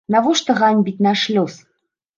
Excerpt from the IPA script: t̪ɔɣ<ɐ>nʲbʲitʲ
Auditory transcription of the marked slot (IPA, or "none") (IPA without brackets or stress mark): a